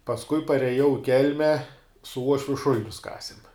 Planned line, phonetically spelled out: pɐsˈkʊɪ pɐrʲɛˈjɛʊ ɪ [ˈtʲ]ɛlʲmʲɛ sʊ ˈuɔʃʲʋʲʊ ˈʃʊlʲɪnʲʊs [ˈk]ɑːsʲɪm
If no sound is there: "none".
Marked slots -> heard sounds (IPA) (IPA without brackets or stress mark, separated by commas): kʲ, k